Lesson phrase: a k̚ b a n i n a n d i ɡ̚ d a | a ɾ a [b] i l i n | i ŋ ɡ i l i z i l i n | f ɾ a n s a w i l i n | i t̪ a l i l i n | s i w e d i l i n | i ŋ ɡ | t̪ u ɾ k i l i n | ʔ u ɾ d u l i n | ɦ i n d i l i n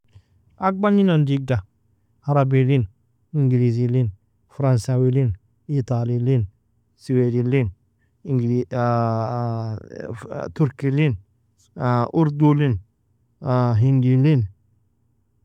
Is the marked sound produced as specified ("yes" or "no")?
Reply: yes